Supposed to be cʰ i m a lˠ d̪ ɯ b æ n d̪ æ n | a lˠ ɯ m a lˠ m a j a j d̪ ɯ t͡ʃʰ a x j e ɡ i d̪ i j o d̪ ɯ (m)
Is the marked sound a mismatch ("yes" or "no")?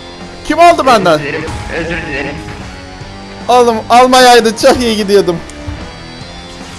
no